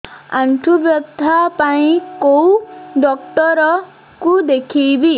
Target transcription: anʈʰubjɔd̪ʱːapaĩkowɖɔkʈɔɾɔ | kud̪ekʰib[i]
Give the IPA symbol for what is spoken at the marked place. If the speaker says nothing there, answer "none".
i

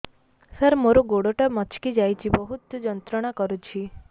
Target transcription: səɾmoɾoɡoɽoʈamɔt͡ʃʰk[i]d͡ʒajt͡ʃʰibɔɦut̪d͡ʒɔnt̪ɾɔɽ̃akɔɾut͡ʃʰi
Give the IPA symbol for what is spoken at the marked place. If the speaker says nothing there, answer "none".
i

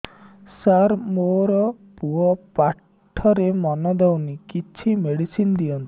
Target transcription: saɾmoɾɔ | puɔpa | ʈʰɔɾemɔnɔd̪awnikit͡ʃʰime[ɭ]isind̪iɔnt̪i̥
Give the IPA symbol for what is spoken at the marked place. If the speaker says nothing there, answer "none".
ɽ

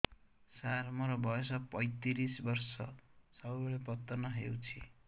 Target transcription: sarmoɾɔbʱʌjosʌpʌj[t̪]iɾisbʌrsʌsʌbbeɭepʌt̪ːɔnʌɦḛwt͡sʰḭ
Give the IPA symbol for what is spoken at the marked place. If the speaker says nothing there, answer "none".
t̪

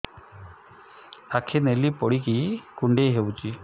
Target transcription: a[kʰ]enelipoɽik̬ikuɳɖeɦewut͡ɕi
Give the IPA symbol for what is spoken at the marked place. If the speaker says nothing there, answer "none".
kʰ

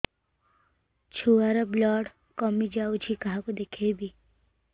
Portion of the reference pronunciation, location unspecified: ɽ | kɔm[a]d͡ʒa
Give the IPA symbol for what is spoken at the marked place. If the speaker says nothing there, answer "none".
i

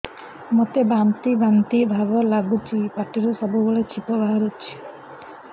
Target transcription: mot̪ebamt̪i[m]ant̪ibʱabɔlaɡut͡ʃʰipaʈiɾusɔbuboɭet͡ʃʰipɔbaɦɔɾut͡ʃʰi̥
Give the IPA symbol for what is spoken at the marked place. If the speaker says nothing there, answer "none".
b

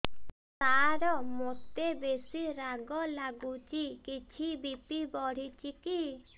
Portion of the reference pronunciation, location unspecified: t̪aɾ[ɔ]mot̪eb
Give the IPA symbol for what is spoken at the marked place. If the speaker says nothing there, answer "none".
ɔ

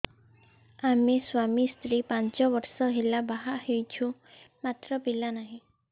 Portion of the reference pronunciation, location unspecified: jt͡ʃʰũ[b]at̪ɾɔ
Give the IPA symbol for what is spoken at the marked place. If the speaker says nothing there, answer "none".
m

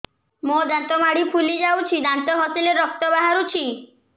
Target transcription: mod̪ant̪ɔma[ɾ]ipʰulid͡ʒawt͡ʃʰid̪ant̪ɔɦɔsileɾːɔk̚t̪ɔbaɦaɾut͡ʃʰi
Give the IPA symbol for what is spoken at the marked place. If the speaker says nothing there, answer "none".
ɽ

